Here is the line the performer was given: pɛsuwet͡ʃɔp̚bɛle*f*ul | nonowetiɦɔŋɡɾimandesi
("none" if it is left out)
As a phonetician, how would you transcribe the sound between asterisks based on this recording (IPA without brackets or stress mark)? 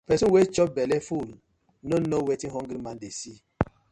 f